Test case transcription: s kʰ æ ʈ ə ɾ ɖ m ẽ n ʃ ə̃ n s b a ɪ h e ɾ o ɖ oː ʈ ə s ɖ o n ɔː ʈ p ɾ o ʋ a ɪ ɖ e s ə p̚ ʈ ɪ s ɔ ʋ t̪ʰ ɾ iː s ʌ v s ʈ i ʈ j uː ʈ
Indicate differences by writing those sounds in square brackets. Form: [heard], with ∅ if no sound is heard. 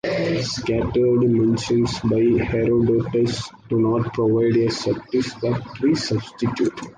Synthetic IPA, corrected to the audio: s [k] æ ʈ ə ɾ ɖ m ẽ n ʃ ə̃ n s b a ɪ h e ɾ o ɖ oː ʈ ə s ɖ [u] n ɔː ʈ p ɾ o ʋ a ɪ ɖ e s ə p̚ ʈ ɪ s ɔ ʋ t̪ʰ ɾ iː s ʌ [b] s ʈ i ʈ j uː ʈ

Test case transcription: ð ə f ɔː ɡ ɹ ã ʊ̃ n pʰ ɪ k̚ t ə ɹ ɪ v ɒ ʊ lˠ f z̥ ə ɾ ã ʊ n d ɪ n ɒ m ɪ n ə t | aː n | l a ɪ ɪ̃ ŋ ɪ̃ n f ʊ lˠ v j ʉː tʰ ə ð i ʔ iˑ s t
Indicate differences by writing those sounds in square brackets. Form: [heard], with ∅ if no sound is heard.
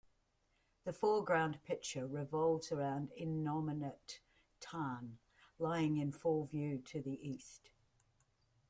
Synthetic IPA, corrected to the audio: ð ə f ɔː ɡ ɹ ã ʊ̃ n pʰ ɪ k̚ [t͡ʃ] ə ɹ ɪ v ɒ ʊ lˠ [v] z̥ ə [ɹ] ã [ʊ̃] n d ɪ n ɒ m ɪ n ə [tʰ] | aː n | l a ɪ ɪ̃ ŋ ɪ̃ n f ʊ lˠ v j ʉː tʰ ə ð i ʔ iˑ s t

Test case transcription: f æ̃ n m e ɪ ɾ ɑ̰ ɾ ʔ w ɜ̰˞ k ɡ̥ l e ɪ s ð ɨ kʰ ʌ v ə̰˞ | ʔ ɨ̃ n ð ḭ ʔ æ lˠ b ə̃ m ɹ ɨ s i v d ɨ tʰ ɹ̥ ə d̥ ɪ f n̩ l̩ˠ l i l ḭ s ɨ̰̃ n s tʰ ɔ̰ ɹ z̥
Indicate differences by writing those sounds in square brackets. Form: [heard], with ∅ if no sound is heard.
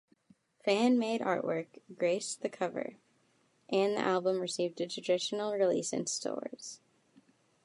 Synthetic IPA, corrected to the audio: f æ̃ n m e ɪ ɾ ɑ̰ [ɹ] ʔ w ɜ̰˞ k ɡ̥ [ɹ] e ɪ s ð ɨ kʰ ʌ v ə̰˞ | ʔ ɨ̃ n ð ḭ ʔ æ lˠ b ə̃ m ɹ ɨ s i v d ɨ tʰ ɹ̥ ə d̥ ɪ [ʃ] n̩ l̩ˠ [ɹ] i l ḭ s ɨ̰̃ n s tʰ ɔ̰ ɹ z̥

